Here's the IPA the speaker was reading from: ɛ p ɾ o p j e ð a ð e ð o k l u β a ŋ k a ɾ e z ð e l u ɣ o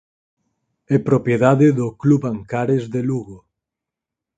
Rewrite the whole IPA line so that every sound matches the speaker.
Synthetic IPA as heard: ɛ p ɾ o p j e ð a ð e ð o k l u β a ŋ k a ɾ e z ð e l u ɣ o